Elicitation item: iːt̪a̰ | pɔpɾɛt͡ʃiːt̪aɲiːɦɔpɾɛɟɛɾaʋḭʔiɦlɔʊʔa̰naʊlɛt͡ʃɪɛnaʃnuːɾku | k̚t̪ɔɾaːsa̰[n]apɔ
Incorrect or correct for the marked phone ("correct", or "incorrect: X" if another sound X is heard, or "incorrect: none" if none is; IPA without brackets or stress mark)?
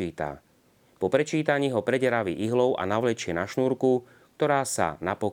correct